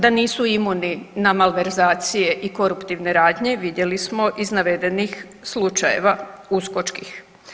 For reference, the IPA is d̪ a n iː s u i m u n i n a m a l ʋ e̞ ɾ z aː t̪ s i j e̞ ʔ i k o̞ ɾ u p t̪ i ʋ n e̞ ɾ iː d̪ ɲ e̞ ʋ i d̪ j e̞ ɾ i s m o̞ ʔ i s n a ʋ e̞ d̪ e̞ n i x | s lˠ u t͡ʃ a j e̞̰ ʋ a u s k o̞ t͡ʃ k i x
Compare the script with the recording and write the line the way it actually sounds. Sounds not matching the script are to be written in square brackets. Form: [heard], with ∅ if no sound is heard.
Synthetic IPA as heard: d̪ a n iː s u i m u n i n a m a l ʋ e̞ ɾ z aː t̪ s i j e̞ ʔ i k o̞ ɾ u p t̪ i ʋ n e̞ ɾ [aː] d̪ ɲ e̞ ʋ i d̪ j e̞ [l] i s m o̞ ʔ i [z] n a ʋ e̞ d̪ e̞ n i x | s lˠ u t͡ʃ a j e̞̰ ʋ a u s k o̞ t͡ʃ k i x